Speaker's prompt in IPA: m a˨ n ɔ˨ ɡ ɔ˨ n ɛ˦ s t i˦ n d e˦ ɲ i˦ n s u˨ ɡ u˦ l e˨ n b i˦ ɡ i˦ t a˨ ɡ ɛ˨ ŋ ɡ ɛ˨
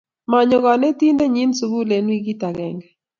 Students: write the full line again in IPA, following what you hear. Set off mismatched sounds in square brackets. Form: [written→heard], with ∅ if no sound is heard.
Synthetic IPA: m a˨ [n→ɲ] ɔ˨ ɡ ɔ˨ n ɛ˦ [s→∅] t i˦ n d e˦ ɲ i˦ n s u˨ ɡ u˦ l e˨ n [b→w] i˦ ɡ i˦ t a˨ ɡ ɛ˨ ŋ ɡ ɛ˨